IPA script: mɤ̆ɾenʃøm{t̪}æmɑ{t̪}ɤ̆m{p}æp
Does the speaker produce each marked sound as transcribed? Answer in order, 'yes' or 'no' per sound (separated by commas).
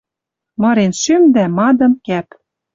no, no, no